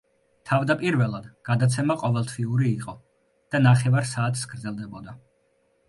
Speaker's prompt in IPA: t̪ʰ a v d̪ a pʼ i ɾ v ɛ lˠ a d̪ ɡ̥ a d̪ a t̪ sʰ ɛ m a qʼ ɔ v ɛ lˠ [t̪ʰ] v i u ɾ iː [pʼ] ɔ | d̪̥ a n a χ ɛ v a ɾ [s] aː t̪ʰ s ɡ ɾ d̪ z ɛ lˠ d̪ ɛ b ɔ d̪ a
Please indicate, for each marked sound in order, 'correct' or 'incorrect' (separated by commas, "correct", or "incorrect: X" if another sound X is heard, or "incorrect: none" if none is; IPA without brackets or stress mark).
correct, incorrect: qʼ, correct